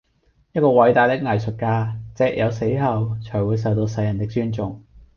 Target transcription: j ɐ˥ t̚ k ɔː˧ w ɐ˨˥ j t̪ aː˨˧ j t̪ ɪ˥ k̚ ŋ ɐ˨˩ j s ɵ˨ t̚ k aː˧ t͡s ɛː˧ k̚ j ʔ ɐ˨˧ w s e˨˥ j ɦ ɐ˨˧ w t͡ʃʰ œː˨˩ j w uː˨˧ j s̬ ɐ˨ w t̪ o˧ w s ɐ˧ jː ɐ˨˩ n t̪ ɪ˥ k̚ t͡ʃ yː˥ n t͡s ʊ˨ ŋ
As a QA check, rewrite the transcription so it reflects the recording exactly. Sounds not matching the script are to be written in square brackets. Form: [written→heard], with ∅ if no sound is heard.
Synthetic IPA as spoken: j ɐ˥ t̚ k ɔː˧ w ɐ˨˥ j t̪ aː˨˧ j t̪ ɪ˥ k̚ ŋ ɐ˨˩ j s ɵ˨ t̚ k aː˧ t͡s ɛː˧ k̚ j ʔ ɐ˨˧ w s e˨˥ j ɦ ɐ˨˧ w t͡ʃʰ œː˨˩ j w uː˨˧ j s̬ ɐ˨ w t̪ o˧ w s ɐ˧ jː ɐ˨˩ n t̪ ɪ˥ k̚ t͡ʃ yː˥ n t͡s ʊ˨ ŋ